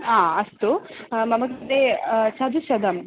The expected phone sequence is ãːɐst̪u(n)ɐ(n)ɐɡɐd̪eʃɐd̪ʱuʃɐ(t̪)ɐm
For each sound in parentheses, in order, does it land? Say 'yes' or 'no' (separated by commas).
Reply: no, no, no